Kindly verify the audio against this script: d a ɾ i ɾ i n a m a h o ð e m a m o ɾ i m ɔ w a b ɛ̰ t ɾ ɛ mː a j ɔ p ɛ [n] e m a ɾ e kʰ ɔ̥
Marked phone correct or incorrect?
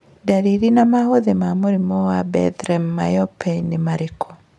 correct